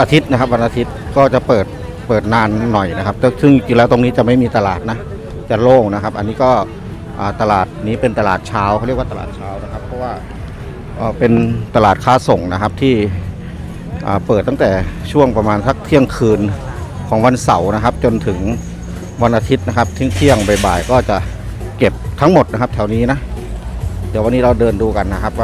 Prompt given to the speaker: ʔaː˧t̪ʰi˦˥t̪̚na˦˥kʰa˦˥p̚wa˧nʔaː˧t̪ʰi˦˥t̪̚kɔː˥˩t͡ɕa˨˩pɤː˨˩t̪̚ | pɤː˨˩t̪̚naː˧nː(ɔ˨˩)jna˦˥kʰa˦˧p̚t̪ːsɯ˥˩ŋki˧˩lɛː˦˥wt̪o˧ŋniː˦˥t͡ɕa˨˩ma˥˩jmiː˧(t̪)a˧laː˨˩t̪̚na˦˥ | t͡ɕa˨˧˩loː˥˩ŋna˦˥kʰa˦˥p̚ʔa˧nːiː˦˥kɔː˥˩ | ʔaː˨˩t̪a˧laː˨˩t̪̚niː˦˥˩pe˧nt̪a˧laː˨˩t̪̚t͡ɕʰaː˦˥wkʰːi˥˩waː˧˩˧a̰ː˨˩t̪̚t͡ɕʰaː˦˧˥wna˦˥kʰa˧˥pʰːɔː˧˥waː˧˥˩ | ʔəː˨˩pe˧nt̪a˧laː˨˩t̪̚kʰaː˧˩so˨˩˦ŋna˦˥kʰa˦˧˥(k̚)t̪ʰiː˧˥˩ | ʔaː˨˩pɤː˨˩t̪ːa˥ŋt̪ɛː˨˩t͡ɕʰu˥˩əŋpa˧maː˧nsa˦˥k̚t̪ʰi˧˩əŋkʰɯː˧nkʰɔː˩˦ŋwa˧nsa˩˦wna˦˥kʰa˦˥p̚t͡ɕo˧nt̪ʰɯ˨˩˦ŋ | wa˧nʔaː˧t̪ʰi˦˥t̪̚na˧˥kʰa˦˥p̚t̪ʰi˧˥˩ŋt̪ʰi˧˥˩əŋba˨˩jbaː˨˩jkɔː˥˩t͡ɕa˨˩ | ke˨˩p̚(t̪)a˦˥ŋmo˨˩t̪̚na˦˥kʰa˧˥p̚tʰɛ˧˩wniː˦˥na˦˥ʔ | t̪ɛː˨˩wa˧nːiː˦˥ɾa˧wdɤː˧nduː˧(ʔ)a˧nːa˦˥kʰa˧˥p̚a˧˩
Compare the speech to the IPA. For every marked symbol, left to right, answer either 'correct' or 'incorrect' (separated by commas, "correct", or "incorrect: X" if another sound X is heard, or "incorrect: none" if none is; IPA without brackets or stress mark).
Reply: correct, correct, incorrect: p̚, incorrect: t̪ʰ, incorrect: k